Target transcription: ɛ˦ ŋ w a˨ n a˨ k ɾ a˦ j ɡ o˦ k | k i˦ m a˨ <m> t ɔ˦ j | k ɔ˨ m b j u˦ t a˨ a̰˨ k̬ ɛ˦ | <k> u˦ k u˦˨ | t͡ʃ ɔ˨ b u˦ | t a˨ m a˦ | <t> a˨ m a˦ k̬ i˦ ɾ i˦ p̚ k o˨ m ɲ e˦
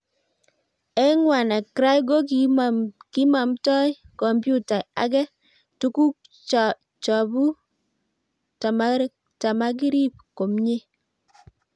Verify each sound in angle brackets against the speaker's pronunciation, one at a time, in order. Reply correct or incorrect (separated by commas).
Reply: correct, incorrect, correct